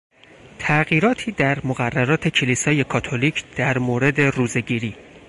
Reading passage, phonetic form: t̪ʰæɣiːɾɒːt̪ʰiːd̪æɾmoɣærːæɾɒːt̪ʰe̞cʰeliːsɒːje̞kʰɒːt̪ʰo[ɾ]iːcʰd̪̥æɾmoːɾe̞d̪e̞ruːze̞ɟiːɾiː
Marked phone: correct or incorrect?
incorrect